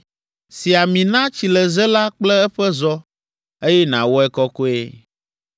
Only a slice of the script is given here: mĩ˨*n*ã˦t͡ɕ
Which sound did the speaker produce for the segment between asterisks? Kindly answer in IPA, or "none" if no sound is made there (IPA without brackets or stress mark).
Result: n